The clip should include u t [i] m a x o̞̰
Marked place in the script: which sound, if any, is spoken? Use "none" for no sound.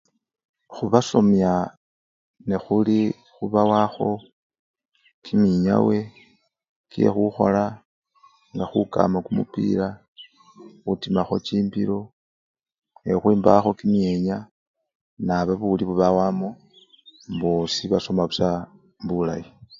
i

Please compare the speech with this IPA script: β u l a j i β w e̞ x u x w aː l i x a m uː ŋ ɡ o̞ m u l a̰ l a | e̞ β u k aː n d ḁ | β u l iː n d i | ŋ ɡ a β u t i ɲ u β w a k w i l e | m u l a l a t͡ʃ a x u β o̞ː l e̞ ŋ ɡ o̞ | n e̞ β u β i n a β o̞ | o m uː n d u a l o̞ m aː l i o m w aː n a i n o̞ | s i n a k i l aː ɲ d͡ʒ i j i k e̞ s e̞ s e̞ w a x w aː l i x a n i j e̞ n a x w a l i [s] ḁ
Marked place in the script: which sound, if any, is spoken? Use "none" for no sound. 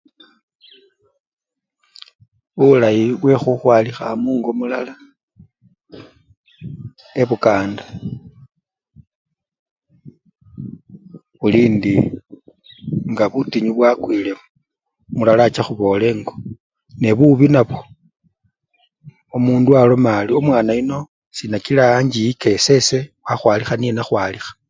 x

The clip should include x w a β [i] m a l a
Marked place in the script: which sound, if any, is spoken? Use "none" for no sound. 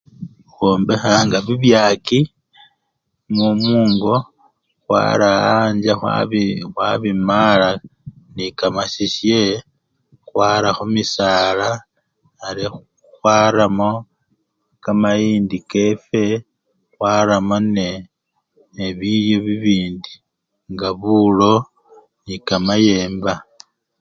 i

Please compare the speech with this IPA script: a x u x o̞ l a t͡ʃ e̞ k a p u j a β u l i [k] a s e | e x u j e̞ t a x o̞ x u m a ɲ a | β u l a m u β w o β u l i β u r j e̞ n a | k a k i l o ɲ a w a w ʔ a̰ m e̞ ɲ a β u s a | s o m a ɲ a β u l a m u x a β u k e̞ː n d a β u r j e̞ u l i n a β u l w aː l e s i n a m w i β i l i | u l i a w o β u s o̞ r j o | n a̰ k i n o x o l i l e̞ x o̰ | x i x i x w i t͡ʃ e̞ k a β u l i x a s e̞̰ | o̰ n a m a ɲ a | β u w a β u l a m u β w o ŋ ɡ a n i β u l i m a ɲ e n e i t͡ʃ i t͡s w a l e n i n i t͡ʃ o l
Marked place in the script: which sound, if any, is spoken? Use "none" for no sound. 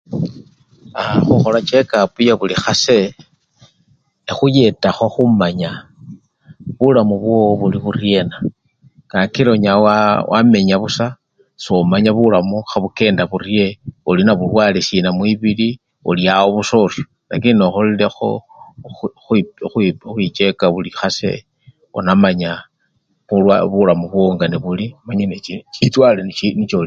x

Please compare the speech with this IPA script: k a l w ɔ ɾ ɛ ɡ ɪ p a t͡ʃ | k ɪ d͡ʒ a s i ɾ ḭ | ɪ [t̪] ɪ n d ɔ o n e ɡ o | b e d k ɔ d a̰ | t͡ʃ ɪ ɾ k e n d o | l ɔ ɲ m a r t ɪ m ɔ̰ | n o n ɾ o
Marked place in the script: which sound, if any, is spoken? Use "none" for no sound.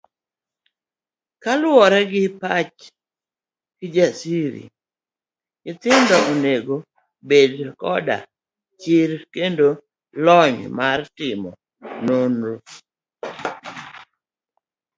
t̪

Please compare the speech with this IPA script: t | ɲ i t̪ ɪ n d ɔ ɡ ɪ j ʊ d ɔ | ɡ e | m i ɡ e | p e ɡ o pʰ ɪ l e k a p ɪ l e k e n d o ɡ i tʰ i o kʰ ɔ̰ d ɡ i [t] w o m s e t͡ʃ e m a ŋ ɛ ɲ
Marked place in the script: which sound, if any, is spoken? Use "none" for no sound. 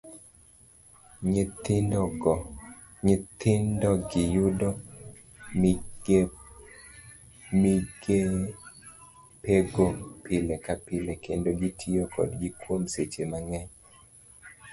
k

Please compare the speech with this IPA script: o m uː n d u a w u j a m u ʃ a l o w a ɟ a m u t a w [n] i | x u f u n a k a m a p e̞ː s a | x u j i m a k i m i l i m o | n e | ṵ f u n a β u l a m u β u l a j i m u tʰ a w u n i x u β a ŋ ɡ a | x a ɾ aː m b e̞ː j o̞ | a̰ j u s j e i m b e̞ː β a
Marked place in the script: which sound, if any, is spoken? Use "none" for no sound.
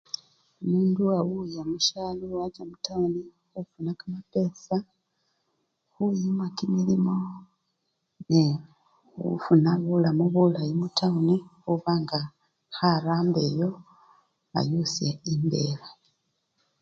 n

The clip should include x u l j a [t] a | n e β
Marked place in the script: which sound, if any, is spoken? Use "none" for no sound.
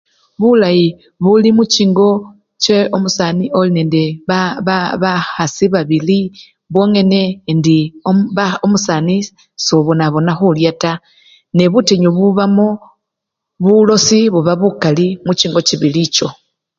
t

